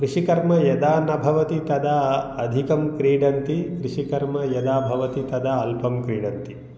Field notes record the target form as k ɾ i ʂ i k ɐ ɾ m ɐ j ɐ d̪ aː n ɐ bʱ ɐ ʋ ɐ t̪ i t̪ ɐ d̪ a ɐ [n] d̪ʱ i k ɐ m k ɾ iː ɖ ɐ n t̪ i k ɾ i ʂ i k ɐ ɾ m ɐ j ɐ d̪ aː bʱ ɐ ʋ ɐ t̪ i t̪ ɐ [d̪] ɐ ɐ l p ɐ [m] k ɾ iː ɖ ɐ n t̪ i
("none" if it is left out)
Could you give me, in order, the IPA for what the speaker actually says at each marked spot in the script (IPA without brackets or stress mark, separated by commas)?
none, d̪, m